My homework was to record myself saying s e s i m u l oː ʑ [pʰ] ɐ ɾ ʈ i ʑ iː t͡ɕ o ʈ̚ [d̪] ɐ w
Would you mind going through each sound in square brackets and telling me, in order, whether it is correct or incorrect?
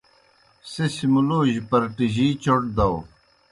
incorrect, correct

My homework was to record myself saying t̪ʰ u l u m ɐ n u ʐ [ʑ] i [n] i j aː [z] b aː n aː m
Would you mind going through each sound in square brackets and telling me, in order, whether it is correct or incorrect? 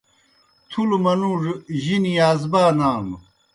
correct, correct, correct

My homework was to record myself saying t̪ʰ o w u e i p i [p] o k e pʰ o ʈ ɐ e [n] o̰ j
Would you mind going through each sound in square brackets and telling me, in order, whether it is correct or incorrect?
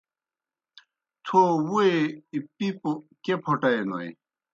correct, correct

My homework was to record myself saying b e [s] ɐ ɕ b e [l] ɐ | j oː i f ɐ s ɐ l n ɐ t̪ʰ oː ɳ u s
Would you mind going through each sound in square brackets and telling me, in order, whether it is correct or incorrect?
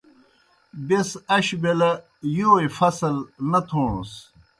correct, correct

